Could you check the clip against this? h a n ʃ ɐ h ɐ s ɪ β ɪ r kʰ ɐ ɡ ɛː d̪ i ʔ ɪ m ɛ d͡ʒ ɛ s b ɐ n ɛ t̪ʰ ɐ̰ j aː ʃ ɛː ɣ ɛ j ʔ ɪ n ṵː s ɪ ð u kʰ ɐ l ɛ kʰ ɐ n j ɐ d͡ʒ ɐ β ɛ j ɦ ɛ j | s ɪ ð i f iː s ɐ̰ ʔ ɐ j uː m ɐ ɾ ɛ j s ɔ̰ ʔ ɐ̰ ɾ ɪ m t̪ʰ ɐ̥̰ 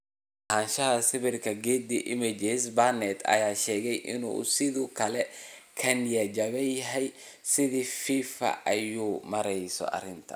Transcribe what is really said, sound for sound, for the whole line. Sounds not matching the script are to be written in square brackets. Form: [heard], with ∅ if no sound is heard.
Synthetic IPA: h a n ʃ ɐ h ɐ s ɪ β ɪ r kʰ ɐ ɡ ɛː d̪ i ʔ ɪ m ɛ d͡ʒ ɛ s b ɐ n ɛ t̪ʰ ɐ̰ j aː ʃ ɛː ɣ ɛ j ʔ ɪ n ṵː s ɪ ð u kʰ ɐ l ɛ kʰ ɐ n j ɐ d͡ʒ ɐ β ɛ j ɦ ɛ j | s ɪ ð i f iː [f] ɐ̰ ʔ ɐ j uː m ɐ ɾ ɛ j s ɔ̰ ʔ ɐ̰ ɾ ɪ [n] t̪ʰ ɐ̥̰